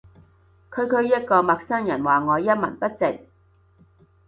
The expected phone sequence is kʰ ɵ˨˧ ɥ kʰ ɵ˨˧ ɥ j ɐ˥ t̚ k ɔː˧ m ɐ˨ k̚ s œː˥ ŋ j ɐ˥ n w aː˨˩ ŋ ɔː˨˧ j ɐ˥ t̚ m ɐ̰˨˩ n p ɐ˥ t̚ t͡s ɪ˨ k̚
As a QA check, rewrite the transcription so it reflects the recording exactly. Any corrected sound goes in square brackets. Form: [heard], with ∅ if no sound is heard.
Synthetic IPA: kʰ ɵ˨˧ ɥ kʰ ɵ˨˧ ɥ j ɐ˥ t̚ k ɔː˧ m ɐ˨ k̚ s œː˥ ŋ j [ɐ˨˩] n w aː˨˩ ŋ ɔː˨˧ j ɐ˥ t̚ m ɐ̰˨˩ n p ɐ˥ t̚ t͡s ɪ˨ k̚